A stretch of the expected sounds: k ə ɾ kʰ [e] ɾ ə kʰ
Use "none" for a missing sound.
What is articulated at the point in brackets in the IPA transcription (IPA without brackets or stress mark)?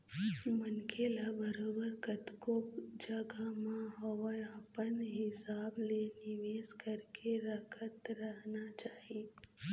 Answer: e